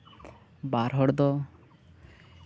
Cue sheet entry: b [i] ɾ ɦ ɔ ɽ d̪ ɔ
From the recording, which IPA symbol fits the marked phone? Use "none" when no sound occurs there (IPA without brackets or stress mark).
a